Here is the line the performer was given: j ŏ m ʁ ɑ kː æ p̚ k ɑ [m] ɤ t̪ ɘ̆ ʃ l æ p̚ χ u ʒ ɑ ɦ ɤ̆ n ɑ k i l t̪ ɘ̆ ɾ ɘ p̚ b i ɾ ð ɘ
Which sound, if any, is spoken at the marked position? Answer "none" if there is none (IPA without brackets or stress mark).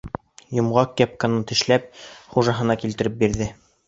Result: n